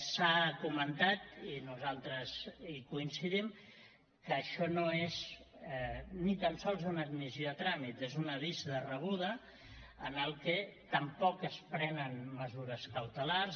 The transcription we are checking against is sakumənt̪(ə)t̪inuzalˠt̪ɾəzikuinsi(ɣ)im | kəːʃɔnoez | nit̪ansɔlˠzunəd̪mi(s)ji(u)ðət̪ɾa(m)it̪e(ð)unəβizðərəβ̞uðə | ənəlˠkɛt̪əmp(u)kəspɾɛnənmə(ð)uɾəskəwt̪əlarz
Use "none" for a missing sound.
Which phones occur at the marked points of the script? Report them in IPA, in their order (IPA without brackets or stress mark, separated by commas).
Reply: a, ð, z, o, m, z, ɔ, z